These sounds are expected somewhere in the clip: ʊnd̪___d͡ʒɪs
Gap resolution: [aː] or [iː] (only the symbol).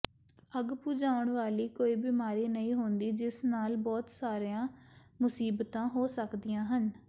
iː